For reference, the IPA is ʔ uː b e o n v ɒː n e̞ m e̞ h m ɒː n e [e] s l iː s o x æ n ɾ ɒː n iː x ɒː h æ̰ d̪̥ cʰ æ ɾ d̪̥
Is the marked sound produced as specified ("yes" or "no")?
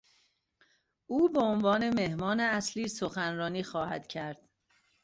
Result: no